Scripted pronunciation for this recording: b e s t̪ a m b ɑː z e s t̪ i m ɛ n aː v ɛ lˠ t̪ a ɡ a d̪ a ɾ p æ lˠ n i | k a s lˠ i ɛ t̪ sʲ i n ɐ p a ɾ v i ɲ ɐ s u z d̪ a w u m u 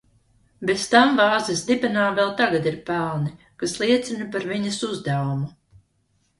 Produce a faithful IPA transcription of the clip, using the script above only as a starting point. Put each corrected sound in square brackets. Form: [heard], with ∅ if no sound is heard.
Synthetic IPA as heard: b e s t̪ a m [v] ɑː z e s [d̪] i [b] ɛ n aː v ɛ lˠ t̪ a ɡ a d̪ [i] ɾ p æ lˠ n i | k a s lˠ i ɛ t̪ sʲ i n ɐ p a ɾ v i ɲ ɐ s u z d̪ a w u m u